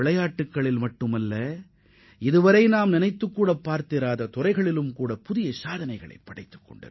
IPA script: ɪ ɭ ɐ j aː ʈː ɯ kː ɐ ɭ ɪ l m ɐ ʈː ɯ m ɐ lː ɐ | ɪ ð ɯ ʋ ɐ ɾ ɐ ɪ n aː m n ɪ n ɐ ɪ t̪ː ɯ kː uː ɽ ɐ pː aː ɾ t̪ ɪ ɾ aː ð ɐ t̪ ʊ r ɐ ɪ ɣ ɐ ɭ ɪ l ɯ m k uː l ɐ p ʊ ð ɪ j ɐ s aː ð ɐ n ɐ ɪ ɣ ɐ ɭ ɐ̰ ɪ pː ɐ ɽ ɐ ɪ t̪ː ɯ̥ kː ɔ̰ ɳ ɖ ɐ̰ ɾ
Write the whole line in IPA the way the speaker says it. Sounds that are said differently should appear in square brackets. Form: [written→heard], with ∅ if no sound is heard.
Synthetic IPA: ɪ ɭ ɐ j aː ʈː ɯ kː ɐ ɭ ɪ l m ɐ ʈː ɯ m ɐ lː ɐ | ɪ ð ɯ ʋ ɐ ɾ ɐ ɪ n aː m n ɪ n ɐ ɪ t̪ː ɯ kː uː ɽ ɐ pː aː ɾ t̪ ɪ ɾ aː ð ɐ t̪ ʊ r ɐ ɪ ɣ ɐ ɭ ɪ l ɯ m k uː [l→ɽ] ɐ p ʊ ð ɪ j ɐ s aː ð ɐ n ɐ ɪ ɣ ɐ ɭ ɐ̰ ɪ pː ɐ ɽ ɐ ɪ t̪ː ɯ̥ kː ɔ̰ ɳ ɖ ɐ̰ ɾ

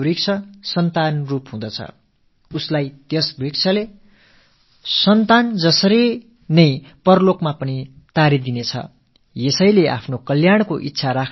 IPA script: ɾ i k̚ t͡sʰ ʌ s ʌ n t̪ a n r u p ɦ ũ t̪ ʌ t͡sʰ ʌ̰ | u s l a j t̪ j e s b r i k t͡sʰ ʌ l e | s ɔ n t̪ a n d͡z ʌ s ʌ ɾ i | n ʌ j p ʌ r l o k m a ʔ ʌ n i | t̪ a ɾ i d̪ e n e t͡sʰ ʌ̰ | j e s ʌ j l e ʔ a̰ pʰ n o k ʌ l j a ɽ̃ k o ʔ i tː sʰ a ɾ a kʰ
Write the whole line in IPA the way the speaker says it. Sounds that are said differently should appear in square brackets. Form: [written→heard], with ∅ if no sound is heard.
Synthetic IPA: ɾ i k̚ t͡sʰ ʌ s ʌ n t̪ a n r u p ɦ ũ [t̪→d̪] ʌ t͡sʰ ʌ̰ | u s l a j t̪ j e s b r i k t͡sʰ ʌ l e | s [ɔ→ʌ] n t̪ a n d͡z ʌ s ʌ ɾ i | n ʌ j p ʌ r l o k m a [ʔ→p] ʌ n i | t̪ a ɾ i d̪ [e→i] n e t͡sʰ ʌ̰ | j e s ʌ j l e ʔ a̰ pʰ n o k ʌ l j a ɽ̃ k o ʔ i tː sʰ a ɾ a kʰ

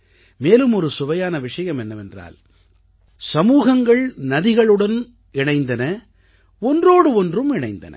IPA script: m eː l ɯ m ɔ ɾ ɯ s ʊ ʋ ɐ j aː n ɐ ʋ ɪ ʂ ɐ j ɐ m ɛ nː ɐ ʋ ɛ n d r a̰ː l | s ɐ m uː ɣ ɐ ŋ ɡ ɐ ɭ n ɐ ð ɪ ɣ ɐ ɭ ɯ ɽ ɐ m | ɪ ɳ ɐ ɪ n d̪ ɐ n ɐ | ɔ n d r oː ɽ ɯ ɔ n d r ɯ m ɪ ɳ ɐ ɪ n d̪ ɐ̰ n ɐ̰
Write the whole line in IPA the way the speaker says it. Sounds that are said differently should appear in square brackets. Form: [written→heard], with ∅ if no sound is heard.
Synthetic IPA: m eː l ɯ m ɔ ɾ ɯ s ʊ ʋ ɐ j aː n ɐ ʋ ɪ ʂ ɐ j ɐ m ɛ nː ɐ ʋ ɛ n d r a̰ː l | s ɐ m uː ɣ ɐ ŋ ɡ ɐ ɭ n ɐ ð ɪ ɣ ɐ ɭ ɯ ɽ ɐ [m→n] | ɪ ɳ ɐ ɪ n d̪ ɐ n ɐ | ɔ n d r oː ɽ ɯ ɔ n d r ɯ m ɪ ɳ ɐ ɪ n d̪ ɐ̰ n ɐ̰

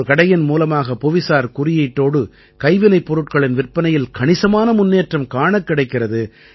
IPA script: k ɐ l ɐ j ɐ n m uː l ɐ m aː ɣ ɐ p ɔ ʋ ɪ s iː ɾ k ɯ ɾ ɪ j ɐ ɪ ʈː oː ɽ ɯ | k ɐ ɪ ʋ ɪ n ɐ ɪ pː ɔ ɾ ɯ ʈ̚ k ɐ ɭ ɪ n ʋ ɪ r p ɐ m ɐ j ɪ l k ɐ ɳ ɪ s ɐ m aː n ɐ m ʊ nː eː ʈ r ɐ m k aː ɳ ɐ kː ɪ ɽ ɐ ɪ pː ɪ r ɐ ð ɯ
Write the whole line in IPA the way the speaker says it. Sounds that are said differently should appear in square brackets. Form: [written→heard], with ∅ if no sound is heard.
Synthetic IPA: k ɐ [l→ɽ] ɐ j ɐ n m uː l ɐ m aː ɣ ɐ p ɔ ʋ ɪ s [iː→aː] ɾ k [ɯ→ʊ] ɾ ɪ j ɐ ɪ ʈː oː ɽ ɯ | k ɐ ɪ ʋ ɪ n ɐ ɪ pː ɔ ɾ ɯ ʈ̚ k ɐ ɭ ɪ n ʋ ɪ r p ɐ [m→n] ɐ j ɪ l k ɐ ɳ ɪ s ɐ m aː n ɐ m ʊ nː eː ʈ r ɐ m k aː ɳ ɐ kː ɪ ɽ ɐ ɪ [pː→kː] ɪ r ɐ ð ɯ

